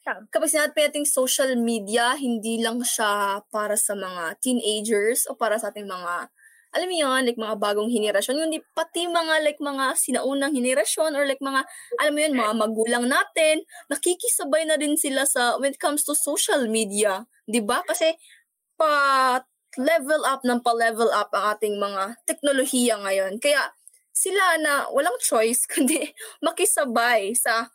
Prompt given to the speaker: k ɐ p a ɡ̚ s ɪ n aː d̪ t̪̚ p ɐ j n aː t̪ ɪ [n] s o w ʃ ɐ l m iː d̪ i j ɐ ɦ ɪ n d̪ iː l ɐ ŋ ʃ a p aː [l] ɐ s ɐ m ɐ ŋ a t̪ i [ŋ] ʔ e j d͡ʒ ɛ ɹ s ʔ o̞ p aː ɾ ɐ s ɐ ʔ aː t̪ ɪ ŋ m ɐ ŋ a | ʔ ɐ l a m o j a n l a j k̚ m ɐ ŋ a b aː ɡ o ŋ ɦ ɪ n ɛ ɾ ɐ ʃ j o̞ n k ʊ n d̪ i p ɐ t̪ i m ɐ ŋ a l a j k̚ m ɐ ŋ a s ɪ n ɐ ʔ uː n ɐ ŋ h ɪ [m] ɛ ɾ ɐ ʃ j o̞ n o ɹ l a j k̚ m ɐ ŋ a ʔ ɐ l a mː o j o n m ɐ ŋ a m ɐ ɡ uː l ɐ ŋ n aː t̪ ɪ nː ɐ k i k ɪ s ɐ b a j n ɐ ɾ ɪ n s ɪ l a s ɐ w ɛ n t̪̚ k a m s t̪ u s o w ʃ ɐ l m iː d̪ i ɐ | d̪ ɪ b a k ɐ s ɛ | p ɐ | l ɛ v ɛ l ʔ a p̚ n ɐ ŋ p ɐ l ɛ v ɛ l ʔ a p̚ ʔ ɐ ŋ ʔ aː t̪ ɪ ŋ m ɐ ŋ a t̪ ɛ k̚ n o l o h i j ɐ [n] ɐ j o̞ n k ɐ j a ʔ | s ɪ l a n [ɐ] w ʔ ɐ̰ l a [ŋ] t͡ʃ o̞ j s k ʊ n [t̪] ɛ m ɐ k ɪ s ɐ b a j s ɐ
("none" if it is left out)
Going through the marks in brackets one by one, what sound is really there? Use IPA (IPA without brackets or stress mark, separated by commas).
ŋ, ɾ, n, n, ŋ, ɐ, ŋ, d̪